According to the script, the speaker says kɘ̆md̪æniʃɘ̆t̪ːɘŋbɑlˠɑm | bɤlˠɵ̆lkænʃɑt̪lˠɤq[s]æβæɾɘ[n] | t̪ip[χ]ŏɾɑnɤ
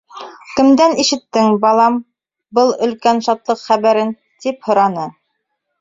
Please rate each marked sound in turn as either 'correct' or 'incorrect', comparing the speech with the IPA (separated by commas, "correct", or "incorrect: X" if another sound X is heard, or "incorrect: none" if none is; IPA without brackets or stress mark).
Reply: incorrect: χ, correct, incorrect: h